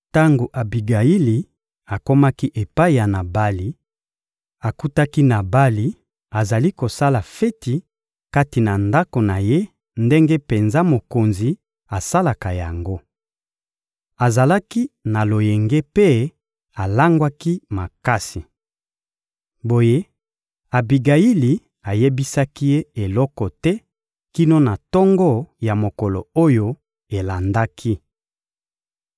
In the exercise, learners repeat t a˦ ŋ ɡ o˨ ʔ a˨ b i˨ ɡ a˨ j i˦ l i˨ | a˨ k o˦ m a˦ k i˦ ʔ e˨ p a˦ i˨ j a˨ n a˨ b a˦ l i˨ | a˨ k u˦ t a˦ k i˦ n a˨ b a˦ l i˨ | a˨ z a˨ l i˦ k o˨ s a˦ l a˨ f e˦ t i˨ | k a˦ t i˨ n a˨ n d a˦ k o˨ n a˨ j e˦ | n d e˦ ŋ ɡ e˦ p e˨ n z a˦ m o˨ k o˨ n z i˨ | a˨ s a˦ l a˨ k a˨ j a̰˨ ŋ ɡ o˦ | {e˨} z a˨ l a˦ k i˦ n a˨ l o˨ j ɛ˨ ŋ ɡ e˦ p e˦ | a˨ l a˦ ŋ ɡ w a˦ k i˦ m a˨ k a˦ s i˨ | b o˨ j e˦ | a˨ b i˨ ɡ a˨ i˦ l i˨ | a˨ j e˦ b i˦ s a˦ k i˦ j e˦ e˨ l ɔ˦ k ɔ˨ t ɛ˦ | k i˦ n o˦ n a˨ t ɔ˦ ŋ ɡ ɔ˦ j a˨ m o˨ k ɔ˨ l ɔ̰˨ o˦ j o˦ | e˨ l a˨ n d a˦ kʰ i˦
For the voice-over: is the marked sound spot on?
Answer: no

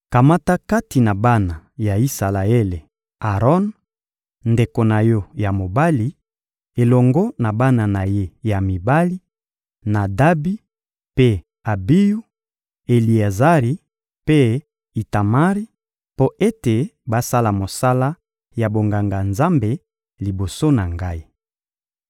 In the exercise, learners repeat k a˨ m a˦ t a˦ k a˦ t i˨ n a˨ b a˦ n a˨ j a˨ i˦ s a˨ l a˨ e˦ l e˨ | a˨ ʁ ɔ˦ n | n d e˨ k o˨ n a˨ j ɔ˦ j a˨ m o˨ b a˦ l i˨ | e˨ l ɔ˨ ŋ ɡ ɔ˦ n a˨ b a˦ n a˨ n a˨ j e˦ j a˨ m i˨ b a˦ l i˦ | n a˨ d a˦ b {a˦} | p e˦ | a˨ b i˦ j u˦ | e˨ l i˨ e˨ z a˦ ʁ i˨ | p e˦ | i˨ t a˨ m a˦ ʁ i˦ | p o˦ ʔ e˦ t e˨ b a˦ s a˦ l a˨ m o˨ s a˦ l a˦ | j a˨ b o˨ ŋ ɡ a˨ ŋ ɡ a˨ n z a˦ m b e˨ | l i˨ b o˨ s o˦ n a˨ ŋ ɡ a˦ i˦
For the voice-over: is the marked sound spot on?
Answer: no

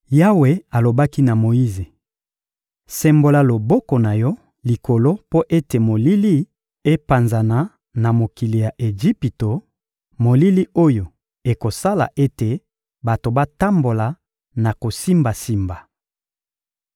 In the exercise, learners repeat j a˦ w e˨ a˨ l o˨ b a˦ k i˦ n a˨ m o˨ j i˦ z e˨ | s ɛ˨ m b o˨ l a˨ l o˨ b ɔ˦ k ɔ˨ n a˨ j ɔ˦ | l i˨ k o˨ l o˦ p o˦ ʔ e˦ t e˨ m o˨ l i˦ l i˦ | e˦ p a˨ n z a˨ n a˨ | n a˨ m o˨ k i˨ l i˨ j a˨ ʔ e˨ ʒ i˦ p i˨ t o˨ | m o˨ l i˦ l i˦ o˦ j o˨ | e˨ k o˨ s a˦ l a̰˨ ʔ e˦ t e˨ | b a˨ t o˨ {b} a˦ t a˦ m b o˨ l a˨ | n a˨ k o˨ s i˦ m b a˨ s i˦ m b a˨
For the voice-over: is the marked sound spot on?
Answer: yes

